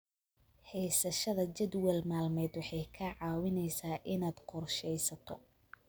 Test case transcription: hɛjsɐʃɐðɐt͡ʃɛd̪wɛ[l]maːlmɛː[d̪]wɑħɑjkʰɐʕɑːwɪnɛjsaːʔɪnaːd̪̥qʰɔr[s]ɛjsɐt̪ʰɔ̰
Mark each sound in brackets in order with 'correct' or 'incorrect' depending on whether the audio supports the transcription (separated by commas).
correct, correct, incorrect